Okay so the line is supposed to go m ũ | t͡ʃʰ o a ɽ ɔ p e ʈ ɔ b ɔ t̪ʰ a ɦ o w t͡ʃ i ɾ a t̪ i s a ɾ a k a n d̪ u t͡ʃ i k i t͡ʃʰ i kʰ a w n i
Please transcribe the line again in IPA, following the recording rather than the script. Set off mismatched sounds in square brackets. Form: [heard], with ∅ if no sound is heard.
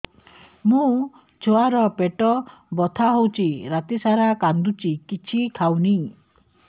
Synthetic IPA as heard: m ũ | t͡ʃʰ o a [ɾ] ɔ p e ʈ ɔ b ɔ t̪ʰ a ɦ o w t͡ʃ i ɾ a t̪ i s a ɾ a k a n d̪ u t͡ʃ i k i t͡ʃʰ i kʰ a w n i